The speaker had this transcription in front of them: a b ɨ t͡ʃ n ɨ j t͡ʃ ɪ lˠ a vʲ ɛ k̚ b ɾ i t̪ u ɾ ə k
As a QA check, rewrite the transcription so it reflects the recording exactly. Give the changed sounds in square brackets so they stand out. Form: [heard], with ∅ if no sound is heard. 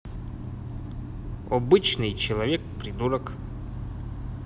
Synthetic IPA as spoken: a b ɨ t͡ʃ n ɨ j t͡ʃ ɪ lˠ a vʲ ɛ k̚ [p] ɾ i [d̪] u ɾ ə k